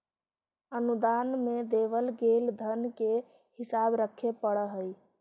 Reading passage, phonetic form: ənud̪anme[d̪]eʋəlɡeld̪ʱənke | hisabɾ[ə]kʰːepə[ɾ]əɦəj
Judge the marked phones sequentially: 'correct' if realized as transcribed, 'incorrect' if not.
correct, correct, incorrect

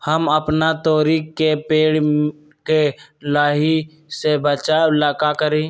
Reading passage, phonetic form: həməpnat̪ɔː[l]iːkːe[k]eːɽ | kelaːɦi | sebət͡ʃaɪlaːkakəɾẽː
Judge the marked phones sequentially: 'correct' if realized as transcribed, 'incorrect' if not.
incorrect, incorrect

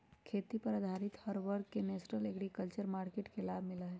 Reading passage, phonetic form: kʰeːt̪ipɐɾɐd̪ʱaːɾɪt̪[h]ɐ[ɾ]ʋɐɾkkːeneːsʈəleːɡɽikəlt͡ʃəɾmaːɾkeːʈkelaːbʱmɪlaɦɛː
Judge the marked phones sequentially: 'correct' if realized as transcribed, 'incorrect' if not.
correct, correct

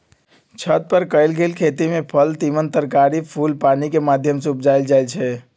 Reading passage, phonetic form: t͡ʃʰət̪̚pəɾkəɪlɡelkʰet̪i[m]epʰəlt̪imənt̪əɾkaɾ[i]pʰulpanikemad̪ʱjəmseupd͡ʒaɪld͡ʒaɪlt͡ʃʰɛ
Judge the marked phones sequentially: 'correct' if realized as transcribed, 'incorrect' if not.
correct, correct

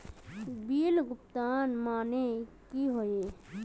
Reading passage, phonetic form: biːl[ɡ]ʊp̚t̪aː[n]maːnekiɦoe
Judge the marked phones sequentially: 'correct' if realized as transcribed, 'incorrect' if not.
correct, correct

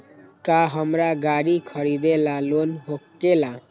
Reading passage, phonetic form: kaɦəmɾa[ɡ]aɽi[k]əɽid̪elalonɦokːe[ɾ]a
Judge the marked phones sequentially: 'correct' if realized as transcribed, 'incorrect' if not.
correct, incorrect, incorrect

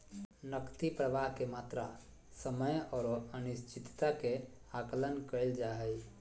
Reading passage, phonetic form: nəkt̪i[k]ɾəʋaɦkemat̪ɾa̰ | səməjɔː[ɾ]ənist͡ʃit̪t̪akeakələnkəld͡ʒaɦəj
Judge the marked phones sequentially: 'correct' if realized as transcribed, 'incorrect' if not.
incorrect, correct

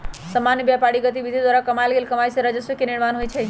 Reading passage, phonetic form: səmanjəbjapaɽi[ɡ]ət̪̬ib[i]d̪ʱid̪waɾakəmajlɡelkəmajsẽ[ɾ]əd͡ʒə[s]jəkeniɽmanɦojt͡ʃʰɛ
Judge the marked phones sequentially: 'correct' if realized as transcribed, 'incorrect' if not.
correct, correct, correct, correct

